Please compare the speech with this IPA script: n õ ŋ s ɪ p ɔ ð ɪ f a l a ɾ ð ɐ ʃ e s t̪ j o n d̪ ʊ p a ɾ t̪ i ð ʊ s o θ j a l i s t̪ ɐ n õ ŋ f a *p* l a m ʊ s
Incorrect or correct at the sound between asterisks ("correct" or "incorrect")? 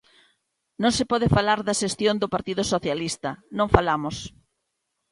incorrect